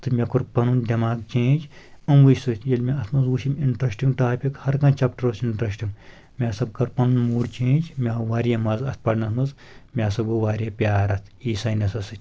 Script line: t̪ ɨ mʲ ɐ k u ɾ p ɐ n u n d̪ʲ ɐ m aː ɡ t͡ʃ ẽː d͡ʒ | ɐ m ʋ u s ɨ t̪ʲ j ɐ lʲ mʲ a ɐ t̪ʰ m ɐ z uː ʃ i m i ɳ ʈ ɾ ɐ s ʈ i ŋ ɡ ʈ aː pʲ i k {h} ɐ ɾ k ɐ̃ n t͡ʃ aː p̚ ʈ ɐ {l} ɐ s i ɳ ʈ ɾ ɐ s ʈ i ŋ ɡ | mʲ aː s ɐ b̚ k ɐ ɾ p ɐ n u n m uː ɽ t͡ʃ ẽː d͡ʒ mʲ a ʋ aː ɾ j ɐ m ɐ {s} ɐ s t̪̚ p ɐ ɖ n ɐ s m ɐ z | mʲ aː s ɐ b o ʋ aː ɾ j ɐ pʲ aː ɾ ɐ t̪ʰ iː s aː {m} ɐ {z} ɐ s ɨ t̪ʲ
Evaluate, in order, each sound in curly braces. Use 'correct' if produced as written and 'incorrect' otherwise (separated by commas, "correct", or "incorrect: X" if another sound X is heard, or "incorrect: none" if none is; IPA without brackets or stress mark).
correct, incorrect: ɾ, incorrect: z, incorrect: n, incorrect: s